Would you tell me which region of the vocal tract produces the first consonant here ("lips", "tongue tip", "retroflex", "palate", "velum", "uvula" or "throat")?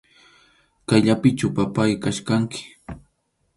velum